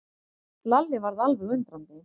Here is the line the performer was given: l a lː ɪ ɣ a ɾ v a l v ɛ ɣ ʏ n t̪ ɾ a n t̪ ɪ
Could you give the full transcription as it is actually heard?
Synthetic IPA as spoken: l a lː ɪ v a ɾ ð a l v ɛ ɣ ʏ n t̪ ɾ a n t̪ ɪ